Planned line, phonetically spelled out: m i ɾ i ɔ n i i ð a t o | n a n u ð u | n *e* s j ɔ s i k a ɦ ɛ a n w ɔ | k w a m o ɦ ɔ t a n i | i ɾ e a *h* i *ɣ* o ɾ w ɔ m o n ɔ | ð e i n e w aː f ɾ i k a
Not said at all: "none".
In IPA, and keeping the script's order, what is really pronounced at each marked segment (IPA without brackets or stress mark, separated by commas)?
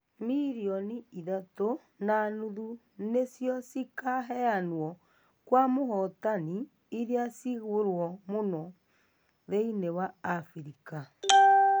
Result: e, s, ɣ